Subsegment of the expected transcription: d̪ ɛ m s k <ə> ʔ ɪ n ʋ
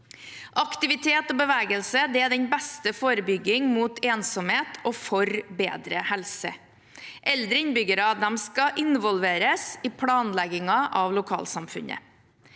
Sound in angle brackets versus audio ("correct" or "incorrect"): incorrect